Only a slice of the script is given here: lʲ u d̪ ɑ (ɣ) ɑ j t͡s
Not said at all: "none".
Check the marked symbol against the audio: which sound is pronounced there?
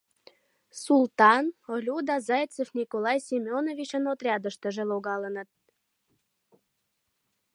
z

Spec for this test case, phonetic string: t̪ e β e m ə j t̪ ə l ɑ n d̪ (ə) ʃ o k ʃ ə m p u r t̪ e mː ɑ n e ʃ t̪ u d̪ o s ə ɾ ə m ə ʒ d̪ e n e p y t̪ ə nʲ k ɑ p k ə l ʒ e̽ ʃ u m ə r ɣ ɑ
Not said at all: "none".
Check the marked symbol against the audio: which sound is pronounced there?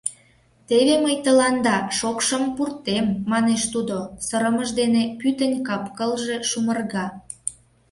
ɑ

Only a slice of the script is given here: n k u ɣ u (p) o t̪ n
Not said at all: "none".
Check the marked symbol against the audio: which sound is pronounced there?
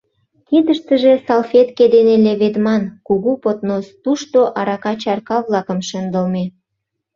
p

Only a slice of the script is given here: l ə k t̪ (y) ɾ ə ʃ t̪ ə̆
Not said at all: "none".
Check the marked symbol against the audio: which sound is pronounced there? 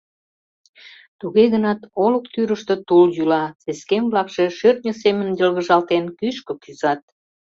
y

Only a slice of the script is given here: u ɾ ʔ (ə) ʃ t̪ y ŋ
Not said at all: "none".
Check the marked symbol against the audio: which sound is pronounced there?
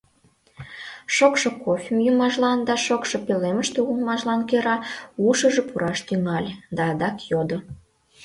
ɑ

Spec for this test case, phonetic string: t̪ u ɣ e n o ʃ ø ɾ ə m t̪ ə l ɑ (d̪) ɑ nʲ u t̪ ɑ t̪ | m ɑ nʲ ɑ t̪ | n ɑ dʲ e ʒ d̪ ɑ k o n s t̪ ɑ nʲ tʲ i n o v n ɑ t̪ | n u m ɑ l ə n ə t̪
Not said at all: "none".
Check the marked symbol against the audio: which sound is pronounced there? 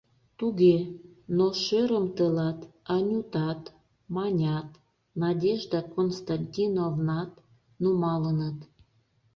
t̪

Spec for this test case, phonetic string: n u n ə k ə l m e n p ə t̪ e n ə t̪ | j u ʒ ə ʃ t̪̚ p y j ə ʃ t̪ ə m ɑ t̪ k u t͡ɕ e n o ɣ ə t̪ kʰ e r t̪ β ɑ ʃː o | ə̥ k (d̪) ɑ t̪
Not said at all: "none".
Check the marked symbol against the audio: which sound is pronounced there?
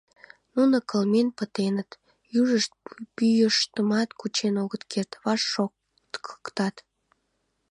t̪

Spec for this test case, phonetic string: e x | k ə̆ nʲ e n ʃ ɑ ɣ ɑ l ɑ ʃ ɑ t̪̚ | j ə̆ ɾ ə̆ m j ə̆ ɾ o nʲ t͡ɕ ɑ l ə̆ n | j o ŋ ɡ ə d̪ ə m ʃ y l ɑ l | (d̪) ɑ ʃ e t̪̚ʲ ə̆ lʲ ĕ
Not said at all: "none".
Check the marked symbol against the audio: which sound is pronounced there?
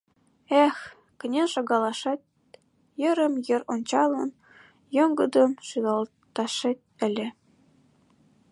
t̪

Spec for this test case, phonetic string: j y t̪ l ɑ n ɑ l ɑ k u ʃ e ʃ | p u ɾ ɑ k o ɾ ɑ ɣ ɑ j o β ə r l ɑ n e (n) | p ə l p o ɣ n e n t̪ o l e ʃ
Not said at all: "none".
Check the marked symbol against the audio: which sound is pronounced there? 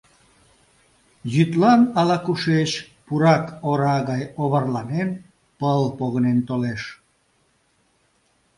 n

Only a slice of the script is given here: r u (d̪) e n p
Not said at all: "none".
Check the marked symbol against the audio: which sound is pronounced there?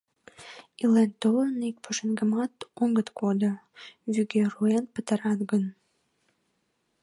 none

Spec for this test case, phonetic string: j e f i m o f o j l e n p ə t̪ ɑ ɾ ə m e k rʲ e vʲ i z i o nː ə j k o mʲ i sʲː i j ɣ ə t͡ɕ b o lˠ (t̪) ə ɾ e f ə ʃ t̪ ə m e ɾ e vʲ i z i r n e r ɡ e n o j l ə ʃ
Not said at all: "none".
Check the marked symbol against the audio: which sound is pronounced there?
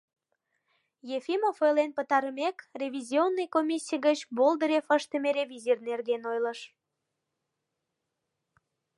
d̪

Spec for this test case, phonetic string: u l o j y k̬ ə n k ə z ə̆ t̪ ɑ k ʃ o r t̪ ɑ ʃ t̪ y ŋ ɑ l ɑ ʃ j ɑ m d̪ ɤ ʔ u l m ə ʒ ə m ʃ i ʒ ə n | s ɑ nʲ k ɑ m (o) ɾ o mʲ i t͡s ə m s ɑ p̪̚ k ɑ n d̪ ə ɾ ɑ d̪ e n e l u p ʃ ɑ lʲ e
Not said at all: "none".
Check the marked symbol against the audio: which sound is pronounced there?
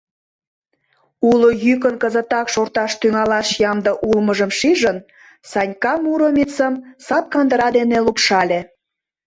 u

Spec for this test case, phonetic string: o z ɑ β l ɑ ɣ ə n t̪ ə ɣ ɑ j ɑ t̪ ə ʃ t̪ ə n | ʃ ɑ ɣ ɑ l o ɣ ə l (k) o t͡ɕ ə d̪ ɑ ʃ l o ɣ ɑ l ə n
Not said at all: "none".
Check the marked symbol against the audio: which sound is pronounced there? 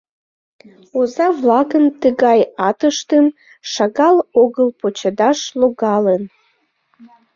p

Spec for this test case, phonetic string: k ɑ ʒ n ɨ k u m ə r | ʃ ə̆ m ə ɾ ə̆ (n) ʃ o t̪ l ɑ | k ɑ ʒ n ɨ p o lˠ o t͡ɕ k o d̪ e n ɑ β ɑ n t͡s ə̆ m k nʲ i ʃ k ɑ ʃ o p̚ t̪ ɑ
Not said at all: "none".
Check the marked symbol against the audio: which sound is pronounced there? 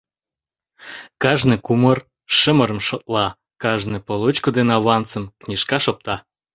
m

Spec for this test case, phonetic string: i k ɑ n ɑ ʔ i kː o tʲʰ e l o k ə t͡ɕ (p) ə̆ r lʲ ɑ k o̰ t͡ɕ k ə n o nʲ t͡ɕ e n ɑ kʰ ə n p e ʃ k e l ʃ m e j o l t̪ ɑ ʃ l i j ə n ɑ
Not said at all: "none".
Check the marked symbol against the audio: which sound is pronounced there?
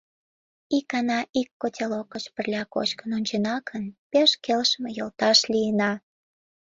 p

